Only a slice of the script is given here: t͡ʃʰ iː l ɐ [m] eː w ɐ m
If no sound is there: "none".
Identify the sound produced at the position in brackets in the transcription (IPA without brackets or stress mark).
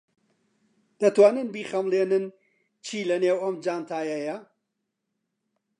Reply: n